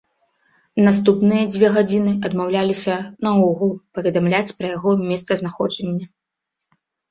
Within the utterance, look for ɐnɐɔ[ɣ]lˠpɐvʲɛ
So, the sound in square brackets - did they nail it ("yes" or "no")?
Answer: yes